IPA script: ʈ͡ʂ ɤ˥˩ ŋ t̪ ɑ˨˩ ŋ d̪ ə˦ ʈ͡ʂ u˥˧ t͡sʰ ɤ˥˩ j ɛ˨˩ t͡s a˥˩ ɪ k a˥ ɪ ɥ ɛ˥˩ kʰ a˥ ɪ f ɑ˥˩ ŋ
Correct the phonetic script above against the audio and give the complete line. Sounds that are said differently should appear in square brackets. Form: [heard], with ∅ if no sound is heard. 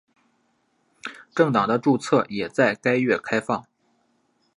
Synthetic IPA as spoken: ʈ͡ʂ ɤ˥˩ ŋ t̪ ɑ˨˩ ŋ d̪ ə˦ ʈ͡ʂ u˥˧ t͡sʰ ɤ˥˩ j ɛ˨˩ t͡s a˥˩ ɪ k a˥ ɪ ɥ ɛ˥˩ kʰ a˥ ɪ f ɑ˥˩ ŋ